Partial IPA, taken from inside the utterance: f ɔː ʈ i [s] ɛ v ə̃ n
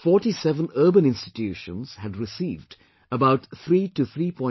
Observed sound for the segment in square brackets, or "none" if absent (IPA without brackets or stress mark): s